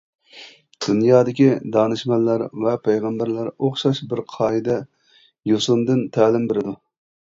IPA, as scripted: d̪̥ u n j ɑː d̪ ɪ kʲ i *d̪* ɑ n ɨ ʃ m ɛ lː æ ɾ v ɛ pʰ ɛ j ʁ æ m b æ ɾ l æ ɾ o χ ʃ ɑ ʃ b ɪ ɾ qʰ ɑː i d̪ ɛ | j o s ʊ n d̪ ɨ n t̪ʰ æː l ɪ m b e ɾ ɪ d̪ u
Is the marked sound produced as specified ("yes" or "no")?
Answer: yes